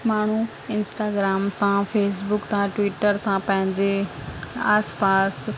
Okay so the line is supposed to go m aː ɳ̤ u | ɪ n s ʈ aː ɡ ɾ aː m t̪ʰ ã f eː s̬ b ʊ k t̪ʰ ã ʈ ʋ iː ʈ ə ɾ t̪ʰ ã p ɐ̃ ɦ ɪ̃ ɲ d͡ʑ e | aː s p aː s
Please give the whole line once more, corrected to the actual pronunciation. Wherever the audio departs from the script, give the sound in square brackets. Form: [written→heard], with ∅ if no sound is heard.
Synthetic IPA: m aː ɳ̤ u | ɪ n s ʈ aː ɡ ɾ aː m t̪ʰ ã f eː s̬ b ʊ k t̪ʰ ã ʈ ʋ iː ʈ ə ɾ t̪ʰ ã p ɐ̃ ɦ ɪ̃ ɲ d͡ʑ e | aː s p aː s

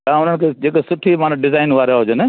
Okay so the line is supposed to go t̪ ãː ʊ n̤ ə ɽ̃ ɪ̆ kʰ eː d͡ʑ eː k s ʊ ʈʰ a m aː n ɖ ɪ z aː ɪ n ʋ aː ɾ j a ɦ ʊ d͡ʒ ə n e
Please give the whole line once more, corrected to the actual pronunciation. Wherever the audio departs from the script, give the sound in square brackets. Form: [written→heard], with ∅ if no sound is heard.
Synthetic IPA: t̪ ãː ʊ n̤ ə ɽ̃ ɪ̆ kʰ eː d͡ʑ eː k s ʊ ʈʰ [a→i] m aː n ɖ ɪ z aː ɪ n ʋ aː ɾ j a ɦ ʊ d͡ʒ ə n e

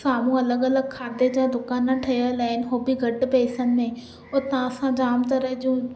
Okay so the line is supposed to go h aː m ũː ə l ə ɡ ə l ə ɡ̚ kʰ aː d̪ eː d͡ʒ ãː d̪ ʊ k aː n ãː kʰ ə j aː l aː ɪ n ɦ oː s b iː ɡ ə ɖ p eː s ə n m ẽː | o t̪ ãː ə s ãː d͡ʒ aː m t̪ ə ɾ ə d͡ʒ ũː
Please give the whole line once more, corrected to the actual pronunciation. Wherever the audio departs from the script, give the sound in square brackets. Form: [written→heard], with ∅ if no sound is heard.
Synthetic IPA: [h→s] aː m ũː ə l ə ɡ ə l ə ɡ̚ kʰ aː d̪ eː d͡ʒ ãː d̪ ʊ k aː n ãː [kʰ→ʈʰ] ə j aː l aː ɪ n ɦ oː [s→∅] b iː ɡ ə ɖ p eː s ə n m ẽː | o t̪ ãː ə s ãː d͡ʒ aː m t̪ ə ɾ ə d͡ʒ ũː

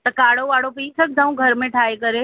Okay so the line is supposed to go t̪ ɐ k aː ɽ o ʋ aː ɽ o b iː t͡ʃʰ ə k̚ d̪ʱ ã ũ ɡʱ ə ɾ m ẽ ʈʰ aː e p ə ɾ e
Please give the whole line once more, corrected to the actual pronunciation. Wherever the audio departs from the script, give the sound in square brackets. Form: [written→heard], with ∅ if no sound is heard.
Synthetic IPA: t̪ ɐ k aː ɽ o ʋ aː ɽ o [b→p] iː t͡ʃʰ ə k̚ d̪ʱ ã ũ ɡʱ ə ɾ m ẽ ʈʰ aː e [p→k] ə ɾ e

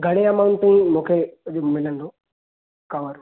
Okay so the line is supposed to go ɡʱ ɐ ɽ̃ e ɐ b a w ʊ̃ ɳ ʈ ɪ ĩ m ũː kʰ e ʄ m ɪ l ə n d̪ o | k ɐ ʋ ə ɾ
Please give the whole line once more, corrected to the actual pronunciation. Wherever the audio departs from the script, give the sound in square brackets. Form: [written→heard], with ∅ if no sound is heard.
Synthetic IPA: ɡʱ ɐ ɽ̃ e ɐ [b→m] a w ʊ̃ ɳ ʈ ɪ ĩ m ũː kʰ e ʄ m ɪ l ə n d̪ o | k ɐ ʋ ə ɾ

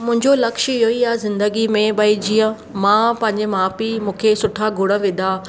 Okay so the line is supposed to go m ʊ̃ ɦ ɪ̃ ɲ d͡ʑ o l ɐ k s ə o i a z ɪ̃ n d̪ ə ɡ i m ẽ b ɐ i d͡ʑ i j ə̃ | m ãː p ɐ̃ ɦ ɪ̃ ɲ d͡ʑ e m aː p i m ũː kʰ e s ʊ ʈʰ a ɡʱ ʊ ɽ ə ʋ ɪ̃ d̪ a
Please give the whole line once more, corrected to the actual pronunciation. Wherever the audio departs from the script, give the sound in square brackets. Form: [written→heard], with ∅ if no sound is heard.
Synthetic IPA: m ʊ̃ ɦ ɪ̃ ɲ d͡ʑ o l ɐ k [s→ʃ] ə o i a z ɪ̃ n d̪ ə ɡ i m ẽ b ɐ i d͡ʑ i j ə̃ | m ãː p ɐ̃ ɦ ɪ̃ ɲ d͡ʑ e m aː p i m ũː kʰ e s ʊ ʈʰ a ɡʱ ʊ ɽ ə ʋ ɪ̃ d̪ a

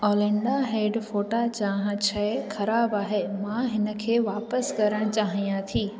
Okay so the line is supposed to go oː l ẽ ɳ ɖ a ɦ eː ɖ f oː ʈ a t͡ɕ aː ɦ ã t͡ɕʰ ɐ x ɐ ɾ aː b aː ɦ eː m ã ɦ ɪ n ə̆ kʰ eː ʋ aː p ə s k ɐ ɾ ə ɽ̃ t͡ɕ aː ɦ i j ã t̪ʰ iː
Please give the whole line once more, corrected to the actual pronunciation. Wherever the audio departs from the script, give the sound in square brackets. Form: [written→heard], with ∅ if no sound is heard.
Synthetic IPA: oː l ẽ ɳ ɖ a ɦ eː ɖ f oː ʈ a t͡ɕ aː ɦ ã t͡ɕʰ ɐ x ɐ ɾ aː b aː ɦ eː m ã ɦ ɪ n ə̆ kʰ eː ʋ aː p ə s k ɐ ɾ ə ɽ̃ t͡ɕ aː ɦ i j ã t̪ʰ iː

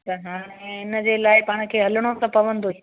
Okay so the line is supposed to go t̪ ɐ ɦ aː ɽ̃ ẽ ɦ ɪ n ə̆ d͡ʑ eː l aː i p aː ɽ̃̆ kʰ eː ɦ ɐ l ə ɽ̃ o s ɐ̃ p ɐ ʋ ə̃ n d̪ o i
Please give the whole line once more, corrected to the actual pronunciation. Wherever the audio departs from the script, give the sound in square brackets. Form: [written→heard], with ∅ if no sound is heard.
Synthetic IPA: t̪ ɐ ɦ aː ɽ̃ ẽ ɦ ɪ n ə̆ d͡ʑ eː l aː [i→ɪ] p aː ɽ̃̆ kʰ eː ɦ ɐ l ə ɽ̃ o s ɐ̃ p ɐ ʋ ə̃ n d̪ o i

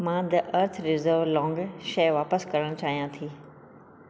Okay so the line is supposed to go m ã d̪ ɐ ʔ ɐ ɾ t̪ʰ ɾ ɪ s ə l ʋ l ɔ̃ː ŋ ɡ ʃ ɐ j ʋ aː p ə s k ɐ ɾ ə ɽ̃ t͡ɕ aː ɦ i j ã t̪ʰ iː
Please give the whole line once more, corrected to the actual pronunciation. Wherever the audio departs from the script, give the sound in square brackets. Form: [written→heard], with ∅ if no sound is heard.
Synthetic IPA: m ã d̪ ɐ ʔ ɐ ɾ t̪ʰ ɾ ɪ [s→z] ə [l→ɾ] ʋ l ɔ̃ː ŋ ɡ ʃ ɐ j ʋ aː p ə s k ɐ ɾ ə ɽ̃ t͡ɕ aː ɦ i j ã t̪ʰ iː

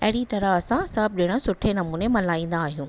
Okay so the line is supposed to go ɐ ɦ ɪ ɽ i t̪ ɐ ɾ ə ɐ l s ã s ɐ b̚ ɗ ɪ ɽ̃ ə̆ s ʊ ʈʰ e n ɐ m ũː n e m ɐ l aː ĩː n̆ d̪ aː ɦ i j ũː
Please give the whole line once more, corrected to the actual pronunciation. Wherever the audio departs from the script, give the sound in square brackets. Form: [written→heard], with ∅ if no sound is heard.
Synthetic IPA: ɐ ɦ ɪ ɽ i t̪ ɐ ɾ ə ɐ [l→∅] s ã s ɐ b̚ ɗ ɪ ɽ̃ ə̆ s ʊ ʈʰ e n ɐ m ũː n e m ɐ l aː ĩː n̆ d̪ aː ɦ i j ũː

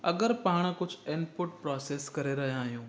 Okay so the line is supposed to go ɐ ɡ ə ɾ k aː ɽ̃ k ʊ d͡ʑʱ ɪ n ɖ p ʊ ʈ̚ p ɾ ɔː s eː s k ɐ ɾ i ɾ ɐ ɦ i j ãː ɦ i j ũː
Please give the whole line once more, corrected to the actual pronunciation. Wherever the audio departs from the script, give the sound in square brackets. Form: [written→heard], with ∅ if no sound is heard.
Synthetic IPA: ɐ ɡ ə ɾ [k→p] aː ɽ̃ k ʊ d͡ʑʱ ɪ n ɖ p ʊ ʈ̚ p ɾ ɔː s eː s k ɐ ɾ [i→e] ɾ ɐ ɦ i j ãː ɦ i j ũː

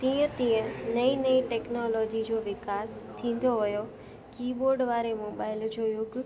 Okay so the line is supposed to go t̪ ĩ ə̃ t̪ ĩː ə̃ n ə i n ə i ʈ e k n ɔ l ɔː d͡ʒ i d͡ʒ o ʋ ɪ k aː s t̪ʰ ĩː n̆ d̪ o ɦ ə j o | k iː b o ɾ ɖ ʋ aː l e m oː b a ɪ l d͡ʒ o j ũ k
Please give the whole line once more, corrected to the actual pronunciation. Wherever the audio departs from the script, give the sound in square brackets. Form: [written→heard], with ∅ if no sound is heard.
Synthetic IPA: t̪ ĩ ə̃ t̪ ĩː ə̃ n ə i n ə i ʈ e k n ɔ l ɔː d͡ʒ i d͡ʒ o ʋ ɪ k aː s t̪ʰ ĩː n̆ d̪ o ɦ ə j o | k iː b o ɾ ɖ ʋ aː [l→ɾ] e m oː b a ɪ l d͡ʒ o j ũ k

